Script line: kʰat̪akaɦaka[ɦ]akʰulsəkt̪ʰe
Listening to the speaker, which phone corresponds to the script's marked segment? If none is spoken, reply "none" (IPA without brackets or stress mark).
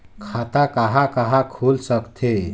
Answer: ɦ